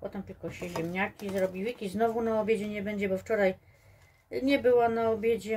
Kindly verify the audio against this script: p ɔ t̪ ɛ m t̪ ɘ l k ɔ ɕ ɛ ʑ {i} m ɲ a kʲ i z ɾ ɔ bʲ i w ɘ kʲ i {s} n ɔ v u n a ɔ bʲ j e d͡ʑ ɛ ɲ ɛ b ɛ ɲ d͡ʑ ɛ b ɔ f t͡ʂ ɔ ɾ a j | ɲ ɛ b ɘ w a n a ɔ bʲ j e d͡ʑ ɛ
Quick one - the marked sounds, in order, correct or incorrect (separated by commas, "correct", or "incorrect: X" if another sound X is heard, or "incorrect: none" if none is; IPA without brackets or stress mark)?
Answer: incorrect: ɛ, incorrect: z